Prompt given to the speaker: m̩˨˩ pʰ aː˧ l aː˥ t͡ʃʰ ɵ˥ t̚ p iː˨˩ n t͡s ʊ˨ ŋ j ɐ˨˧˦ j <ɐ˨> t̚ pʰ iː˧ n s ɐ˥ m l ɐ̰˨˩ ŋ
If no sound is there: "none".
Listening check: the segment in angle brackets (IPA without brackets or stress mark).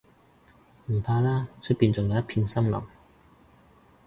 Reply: ɐ˥